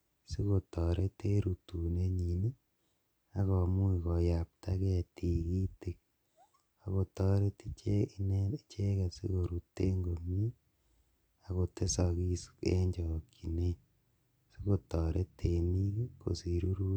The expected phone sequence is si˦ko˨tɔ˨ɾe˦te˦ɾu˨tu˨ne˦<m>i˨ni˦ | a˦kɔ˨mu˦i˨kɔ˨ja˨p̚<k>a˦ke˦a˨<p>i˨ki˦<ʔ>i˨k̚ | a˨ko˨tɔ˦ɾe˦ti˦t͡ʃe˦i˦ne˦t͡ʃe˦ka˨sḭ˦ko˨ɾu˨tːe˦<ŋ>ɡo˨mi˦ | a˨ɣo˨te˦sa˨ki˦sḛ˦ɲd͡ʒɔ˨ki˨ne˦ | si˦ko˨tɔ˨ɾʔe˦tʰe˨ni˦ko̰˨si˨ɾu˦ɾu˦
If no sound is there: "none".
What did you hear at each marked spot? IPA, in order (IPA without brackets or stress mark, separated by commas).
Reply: ɲ, t, t, t, ŋ